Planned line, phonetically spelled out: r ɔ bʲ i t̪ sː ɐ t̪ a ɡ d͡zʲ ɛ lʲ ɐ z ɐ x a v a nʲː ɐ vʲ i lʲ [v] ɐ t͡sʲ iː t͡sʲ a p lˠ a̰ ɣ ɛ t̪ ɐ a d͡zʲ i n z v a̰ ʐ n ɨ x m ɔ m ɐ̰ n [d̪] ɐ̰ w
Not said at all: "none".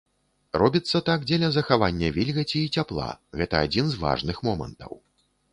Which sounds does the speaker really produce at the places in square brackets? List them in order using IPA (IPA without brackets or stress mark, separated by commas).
ɣ, t̪